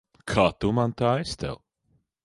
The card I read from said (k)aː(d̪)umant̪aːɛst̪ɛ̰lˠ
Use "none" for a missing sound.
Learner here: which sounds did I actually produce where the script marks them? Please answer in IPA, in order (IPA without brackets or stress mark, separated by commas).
kʰ, t̪